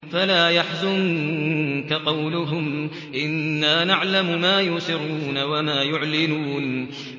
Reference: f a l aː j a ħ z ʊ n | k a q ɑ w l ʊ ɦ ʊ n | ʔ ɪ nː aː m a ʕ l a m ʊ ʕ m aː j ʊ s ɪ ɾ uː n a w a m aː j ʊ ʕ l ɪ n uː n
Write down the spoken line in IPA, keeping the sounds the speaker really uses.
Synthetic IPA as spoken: f a l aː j a ħ z ʊ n | k a q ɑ w l ʊ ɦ ʊ m | ʔ ɪ nː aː n a ʕ l a m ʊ m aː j ʊ s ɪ ɾ uː n a w a m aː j ʊ ʕ l ɪ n uː n